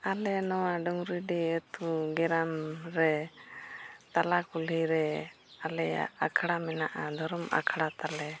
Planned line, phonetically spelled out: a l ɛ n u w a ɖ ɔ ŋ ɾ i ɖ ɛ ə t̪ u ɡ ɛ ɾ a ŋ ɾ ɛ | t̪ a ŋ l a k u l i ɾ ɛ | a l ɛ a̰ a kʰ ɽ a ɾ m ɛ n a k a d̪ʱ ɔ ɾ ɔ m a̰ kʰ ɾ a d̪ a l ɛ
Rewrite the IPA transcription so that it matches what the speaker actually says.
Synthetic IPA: a l ɛ n ɔ w a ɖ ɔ ŋ ɾ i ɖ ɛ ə t̪ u ɡ ɛ ɾ a m ɾ ɛ | t̪ a l a k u l i ɾ ɛ | a l ɛ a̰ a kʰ ɽ a m ɛ n a ʔ a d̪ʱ ɔ ɾ ɔ m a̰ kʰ ɽ a t̪ a l ɛ